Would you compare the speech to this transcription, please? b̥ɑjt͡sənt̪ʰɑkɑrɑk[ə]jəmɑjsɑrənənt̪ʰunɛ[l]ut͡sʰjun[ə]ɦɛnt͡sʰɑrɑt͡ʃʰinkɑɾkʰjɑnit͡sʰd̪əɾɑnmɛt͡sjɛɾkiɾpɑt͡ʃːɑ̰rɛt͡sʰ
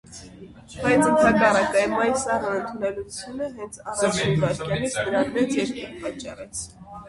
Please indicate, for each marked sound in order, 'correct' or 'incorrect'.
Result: incorrect: ɑ, correct, correct

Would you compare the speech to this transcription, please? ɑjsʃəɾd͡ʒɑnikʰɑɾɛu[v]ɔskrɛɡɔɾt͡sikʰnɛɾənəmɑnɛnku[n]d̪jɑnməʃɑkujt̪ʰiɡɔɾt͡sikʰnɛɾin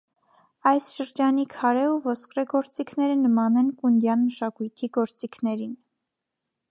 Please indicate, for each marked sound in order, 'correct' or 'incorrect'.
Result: correct, correct

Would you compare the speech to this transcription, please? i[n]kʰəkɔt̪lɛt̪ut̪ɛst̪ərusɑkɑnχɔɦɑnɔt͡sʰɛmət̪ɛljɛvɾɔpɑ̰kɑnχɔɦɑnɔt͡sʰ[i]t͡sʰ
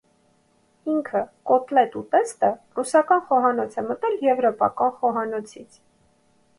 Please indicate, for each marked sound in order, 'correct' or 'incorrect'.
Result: incorrect: ŋ, correct

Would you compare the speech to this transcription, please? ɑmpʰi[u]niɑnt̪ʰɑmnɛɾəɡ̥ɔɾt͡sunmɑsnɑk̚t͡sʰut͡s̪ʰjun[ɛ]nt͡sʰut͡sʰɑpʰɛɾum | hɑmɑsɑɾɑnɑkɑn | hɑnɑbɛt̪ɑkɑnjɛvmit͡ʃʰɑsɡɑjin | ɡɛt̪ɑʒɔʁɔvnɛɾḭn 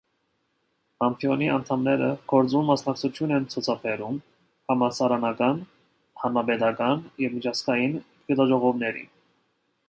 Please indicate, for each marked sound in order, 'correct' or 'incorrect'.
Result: incorrect: ɔ, correct

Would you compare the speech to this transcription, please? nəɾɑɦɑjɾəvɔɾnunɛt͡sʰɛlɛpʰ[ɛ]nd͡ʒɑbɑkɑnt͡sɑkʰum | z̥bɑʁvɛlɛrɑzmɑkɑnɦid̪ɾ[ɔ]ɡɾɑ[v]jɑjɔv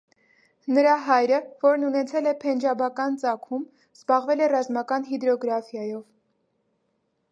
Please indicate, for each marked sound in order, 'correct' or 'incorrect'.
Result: correct, correct, incorrect: f

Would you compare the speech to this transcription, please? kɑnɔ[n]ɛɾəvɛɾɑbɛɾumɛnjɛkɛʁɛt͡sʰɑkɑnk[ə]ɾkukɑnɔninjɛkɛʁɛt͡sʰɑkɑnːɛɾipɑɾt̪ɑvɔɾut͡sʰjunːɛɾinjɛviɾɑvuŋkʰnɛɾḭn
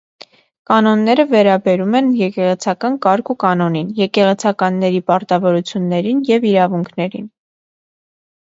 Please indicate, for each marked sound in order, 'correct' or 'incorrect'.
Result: incorrect: nː, incorrect: ɑ

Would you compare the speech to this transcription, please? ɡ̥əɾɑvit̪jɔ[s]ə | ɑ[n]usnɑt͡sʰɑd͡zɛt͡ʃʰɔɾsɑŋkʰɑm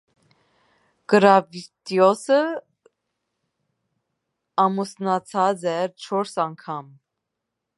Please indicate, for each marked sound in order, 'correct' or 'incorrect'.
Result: correct, incorrect: m

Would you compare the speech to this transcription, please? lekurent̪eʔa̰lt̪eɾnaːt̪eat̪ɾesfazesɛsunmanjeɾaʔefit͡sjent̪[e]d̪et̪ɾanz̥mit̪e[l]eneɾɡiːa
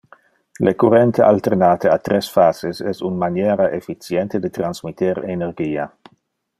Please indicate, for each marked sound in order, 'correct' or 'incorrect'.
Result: correct, incorrect: ɾ

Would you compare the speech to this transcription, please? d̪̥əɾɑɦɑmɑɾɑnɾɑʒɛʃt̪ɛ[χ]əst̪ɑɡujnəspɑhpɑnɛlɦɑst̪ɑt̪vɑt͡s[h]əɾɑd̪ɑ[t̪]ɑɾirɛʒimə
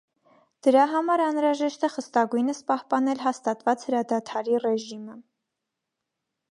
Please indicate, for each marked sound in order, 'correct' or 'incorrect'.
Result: correct, correct, incorrect: t̪ʰ

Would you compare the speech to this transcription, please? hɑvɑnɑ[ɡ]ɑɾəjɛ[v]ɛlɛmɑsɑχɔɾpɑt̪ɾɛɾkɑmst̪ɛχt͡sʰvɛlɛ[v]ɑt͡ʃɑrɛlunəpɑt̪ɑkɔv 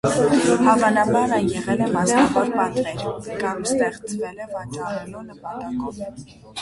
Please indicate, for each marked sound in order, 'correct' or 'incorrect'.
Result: incorrect: b, incorrect: ʁ, correct

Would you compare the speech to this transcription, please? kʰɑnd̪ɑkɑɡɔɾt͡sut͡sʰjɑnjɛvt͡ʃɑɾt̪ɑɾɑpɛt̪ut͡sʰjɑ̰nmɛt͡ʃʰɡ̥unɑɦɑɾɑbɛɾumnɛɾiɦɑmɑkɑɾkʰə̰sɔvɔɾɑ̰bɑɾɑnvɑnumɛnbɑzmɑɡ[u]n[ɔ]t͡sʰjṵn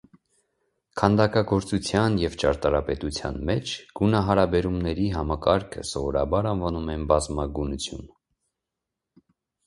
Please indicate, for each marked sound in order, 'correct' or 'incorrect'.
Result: correct, incorrect: u

